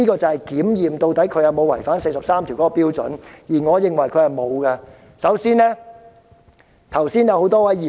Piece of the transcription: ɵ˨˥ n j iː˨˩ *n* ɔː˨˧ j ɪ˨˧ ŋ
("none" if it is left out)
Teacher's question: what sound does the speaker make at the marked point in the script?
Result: ŋ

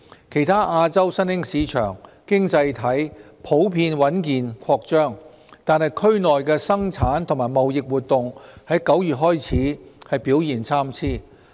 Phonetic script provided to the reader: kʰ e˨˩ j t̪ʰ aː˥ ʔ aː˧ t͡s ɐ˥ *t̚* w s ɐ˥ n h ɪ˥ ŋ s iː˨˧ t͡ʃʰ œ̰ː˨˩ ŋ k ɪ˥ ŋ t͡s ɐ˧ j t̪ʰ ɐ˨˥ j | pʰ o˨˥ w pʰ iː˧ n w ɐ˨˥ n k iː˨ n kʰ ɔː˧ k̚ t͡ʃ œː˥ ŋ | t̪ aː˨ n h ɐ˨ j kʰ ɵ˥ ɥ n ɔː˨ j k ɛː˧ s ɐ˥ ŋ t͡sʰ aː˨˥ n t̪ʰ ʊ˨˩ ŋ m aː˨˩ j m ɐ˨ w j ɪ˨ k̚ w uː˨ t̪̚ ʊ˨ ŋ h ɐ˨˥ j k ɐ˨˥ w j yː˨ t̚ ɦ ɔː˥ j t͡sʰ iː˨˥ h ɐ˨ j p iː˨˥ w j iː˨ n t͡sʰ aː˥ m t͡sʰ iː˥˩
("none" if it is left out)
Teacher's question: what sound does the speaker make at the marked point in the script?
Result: none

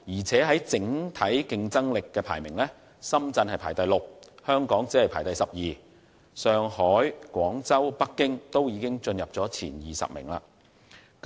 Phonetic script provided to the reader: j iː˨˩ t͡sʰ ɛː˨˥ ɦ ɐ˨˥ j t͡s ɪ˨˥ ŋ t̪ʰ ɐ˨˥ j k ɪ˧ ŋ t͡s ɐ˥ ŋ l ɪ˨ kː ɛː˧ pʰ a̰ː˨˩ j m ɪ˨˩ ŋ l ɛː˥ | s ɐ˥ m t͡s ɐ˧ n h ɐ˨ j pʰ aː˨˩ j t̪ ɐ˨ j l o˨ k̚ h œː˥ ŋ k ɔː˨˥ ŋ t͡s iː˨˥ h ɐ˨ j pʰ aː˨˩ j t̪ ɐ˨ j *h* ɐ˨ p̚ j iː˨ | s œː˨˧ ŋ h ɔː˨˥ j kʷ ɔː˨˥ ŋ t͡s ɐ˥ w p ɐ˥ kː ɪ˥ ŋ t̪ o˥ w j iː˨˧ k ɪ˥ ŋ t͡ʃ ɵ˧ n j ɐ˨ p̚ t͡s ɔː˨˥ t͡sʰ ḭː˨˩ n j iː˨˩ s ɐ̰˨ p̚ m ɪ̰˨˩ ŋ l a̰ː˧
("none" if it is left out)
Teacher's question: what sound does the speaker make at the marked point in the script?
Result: s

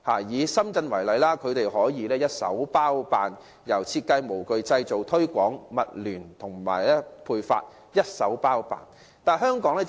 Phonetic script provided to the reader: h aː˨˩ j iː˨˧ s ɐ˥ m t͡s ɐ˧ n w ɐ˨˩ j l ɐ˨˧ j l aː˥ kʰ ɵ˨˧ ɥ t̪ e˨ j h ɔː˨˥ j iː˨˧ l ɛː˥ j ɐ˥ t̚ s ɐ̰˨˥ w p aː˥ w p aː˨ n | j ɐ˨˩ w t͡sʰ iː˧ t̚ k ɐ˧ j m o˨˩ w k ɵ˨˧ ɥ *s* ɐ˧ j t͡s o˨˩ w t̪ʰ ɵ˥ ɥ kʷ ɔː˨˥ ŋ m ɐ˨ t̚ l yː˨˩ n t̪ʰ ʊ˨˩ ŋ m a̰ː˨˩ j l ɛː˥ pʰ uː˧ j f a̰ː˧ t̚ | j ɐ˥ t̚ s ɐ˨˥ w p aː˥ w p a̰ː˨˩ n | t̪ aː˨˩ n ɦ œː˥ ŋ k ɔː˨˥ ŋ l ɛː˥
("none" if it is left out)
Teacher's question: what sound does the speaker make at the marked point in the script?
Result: t͡s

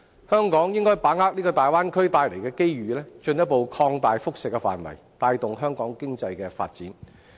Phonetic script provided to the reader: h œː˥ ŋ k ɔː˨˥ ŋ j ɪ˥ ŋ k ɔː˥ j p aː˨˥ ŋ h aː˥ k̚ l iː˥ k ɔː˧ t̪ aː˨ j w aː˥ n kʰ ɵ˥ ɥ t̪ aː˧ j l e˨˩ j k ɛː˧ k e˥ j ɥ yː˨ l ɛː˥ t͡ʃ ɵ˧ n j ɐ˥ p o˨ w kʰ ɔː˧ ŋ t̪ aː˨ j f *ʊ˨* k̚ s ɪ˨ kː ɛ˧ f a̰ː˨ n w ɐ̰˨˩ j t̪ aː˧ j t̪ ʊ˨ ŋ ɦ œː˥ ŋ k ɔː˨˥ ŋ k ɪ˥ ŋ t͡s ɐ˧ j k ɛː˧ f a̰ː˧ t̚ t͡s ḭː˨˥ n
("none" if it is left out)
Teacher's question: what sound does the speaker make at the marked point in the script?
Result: ʊ˥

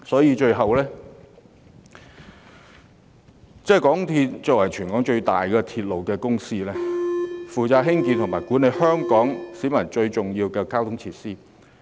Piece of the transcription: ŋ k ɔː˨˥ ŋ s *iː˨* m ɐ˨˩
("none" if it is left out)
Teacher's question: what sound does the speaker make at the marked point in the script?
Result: iː˨˥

